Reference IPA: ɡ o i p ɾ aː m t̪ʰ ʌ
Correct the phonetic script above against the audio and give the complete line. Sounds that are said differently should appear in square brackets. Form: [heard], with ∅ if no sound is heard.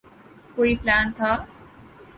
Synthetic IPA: [k] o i p [l] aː [n] t̪ʰ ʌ